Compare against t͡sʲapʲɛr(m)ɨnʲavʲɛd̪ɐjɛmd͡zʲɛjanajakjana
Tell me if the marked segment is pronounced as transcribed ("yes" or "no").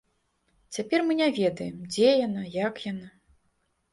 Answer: yes